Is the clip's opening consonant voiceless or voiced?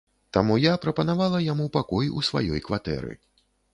voiceless